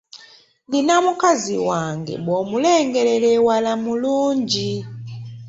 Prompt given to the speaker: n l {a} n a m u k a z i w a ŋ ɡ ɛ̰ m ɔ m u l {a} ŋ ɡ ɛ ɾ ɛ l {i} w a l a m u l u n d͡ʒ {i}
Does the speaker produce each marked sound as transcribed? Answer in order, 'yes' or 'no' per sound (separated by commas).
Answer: no, no, no, yes